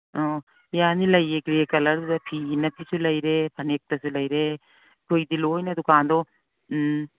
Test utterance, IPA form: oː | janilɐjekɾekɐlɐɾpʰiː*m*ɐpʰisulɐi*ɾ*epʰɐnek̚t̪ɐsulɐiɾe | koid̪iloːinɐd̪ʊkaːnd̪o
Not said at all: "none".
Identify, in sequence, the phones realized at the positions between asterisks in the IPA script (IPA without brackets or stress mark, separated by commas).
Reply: n, ɾ